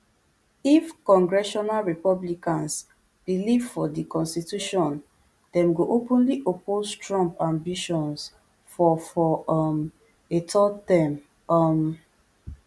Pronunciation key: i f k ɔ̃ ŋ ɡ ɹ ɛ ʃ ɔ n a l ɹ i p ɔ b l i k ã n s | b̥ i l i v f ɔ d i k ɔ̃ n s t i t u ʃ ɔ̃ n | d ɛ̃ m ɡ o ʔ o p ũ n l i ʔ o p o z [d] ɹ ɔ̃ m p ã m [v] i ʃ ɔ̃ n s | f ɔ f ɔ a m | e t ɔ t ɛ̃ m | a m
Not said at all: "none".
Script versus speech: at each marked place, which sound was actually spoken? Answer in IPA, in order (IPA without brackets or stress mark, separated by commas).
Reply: t, b